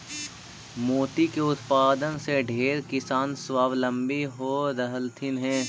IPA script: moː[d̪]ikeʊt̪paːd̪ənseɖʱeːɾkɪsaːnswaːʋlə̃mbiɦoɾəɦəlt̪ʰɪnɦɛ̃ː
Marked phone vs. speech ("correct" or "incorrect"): incorrect